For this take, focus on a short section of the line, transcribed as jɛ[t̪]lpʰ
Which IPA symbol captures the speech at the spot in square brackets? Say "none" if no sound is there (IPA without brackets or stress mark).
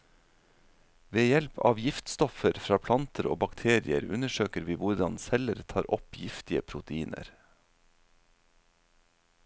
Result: none